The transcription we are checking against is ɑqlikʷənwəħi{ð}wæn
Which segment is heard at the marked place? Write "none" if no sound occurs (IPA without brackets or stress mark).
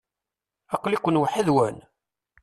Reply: ð